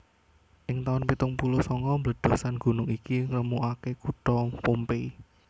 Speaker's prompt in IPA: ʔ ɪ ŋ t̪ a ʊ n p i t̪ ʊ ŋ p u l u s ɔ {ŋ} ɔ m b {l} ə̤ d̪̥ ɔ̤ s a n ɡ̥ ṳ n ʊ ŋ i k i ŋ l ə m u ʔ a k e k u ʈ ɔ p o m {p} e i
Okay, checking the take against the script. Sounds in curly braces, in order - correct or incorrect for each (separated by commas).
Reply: correct, correct, correct